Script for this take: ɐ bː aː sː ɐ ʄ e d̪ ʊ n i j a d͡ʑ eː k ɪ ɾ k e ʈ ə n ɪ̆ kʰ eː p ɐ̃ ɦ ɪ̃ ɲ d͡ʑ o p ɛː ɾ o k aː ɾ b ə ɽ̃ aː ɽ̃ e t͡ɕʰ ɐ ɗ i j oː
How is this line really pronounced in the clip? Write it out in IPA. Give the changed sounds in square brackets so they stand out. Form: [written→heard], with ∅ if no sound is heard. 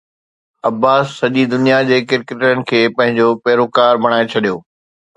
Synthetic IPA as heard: ɐ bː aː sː ɐ ʄ [e→i] d̪ ʊ n i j a d͡ʑ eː k ɪ ɾ k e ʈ ə n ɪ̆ kʰ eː p ɐ̃ ɦ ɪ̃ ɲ d͡ʑ o p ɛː ɾ o k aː ɾ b [ə→ɐ] ɽ̃ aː [ɽ̃→∅] e t͡ɕʰ ɐ ɗ i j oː